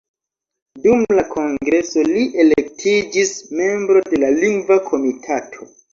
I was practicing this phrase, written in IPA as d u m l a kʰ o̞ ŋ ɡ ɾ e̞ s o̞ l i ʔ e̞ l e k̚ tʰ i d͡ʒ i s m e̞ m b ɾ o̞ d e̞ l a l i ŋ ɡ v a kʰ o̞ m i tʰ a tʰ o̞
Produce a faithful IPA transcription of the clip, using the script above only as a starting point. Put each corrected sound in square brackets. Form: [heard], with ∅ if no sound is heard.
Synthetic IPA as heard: d u m l a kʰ o̞ ŋ ɡ ɾ e̞ s o̞ l i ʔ e̞ l e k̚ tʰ i d͡ʒ i s m e̞ m b ɾ o̞ d e̞ l a l i ŋ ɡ v a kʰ o̞ m i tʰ a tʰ o̞